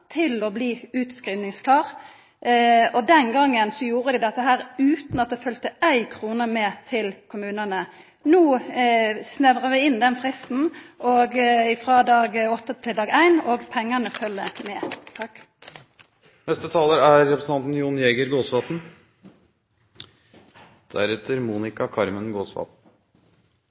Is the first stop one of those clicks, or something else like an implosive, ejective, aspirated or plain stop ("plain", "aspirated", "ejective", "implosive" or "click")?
aspirated